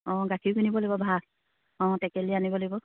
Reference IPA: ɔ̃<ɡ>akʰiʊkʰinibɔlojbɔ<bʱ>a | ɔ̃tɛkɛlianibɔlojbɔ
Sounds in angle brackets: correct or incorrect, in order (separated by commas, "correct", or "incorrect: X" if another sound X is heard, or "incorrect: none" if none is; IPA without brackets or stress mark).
correct, correct